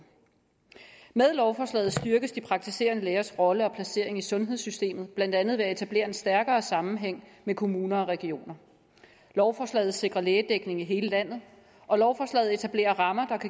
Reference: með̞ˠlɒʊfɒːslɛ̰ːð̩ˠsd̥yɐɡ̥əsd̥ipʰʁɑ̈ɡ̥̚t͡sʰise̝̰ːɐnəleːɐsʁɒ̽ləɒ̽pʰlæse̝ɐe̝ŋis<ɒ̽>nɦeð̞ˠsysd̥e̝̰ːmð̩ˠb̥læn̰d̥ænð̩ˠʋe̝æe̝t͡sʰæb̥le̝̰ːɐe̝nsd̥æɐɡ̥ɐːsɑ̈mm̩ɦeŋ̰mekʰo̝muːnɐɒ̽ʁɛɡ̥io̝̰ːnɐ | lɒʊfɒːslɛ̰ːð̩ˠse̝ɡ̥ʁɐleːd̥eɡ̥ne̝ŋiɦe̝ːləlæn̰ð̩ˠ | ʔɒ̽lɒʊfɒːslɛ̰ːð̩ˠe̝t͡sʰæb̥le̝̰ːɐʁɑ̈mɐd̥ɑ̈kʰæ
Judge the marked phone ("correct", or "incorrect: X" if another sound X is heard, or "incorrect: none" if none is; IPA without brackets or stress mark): incorrect: ɔ̽